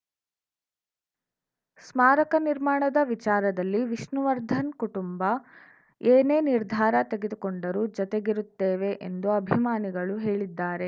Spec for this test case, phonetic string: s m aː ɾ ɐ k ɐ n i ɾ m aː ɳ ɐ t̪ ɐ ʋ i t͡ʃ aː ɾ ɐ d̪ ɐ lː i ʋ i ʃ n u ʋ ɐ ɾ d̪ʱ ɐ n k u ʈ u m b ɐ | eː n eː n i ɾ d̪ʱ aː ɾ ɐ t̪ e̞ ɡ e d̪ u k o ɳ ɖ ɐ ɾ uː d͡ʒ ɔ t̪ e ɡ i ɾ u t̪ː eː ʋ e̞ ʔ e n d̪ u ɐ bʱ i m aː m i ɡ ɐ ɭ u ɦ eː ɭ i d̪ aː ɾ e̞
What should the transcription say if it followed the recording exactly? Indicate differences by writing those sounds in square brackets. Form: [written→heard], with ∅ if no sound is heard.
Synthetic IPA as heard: s m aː ɾ ɐ k ɐ n i ɾ m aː ɳ ɐ [t̪→d̪] ɐ ʋ i t͡ʃ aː ɾ ɐ d̪ ɐ lː i ʋ i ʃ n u ʋ ɐ ɾ d̪ʱ ɐ n k u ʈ u m b ɐ | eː n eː n i ɾ d̪ʱ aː ɾ ɐ t̪ e̞ ɡ e d̪ u k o ɳ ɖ ɐ ɾ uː d͡ʒ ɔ t̪ e ɡ i ɾ u t̪ː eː ʋ e̞ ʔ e n d̪ u ɐ bʱ i m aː [m→n] i ɡ ɐ ɭ u ɦ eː ɭ i [d̪→d̪ː] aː ɾ e̞